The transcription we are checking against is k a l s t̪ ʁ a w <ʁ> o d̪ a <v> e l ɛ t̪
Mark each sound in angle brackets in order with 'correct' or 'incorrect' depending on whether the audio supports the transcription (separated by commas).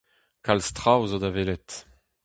incorrect, correct